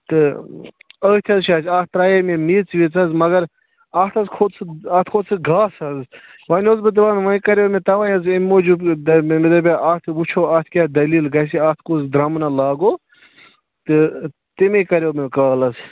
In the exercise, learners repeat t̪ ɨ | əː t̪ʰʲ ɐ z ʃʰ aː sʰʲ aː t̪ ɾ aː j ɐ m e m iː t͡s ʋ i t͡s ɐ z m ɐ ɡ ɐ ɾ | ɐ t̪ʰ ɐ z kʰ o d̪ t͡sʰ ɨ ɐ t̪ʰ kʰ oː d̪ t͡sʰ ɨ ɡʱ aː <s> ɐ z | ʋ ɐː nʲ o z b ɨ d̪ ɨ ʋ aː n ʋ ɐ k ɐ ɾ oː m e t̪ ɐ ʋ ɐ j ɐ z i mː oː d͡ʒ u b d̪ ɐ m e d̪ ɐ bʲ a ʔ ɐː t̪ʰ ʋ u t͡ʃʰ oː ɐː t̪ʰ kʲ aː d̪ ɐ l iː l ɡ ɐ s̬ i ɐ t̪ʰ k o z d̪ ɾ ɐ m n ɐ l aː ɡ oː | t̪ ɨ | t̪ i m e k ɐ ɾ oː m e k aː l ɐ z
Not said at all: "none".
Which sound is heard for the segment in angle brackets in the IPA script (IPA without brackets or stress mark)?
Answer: s